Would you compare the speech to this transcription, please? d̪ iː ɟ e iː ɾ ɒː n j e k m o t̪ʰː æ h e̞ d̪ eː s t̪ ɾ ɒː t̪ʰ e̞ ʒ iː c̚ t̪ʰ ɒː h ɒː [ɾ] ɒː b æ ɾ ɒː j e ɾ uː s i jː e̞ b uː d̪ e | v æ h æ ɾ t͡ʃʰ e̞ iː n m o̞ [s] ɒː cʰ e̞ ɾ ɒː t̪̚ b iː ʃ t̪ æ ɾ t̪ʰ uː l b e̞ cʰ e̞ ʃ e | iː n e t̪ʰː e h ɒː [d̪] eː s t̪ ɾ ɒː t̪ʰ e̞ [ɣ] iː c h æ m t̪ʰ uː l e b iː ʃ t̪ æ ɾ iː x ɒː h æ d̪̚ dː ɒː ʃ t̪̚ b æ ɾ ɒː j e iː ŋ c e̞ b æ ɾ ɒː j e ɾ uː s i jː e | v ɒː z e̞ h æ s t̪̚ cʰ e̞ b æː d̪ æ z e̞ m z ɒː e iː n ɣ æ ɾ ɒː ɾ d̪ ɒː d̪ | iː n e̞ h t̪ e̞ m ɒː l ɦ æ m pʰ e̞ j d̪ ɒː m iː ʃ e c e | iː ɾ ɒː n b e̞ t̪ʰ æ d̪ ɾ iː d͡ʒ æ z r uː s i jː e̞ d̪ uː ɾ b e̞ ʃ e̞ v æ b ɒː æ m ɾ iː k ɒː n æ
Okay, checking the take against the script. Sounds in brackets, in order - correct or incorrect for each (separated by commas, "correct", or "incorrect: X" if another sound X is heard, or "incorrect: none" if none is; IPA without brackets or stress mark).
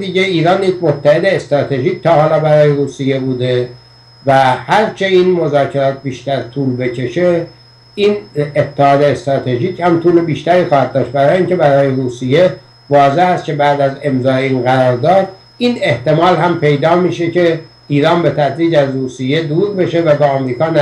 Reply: incorrect: l, incorrect: z, correct, incorrect: ʒ